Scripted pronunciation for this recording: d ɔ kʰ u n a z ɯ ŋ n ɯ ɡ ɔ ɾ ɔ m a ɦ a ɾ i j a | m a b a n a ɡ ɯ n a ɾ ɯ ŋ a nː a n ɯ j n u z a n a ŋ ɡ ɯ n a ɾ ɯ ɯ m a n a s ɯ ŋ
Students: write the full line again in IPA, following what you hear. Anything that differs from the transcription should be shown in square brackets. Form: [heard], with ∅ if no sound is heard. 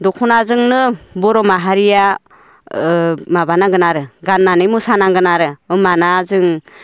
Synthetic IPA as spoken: d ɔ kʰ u n a z ɯ ŋ n ɯ [b] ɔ ɾ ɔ m a ɦ a ɾ i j a | m a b a n a ɡ ɯ n a ɾ ɯ [ɡ] a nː a n ɯ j [m] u [s] a n a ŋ ɡ ɯ n a ɾ ɯ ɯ m a n a [z] ɯ ŋ